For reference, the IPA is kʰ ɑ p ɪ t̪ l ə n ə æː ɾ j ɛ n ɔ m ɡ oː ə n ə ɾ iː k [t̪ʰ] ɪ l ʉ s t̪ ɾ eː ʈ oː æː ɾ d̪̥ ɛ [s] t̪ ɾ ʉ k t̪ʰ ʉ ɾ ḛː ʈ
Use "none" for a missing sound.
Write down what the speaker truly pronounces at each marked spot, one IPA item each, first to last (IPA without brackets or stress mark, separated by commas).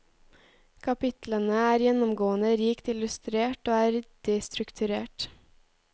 t̪, s